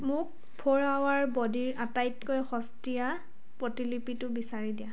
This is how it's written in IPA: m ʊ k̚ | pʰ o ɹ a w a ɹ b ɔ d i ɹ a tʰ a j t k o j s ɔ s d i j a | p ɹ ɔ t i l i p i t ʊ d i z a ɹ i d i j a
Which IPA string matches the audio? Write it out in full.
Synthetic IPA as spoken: m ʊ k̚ | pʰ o ɹ a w a ɹ b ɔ d i ɹ a t a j t k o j x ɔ s t i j a | p ɹ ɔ t i l i p i t ʊ b i s a ɹ i d i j a